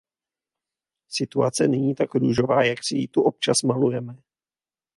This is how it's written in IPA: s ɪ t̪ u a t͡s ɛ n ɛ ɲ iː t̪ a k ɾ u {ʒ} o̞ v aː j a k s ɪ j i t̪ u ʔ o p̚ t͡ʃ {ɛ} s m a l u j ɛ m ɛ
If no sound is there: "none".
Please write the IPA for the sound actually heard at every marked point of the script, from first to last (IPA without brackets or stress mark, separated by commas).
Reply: ʒ, a